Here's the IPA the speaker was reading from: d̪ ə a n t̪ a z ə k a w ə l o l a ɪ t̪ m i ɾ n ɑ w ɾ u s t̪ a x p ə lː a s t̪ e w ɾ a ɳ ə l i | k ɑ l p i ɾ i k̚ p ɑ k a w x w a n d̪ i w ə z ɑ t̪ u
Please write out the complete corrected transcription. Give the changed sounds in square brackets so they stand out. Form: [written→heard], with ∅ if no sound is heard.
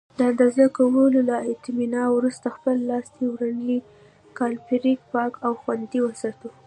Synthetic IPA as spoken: d̪ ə a n [t̪→d̪] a z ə k a w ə l o l a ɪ t̪ m i [ɾ→∅] n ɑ w ɾ u s t̪ a x p ə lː [a→ɑ] s t̪ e w ɾ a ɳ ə l i | k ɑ l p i ɾ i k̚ p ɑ k a w x w a n d̪ i w ə [z→s] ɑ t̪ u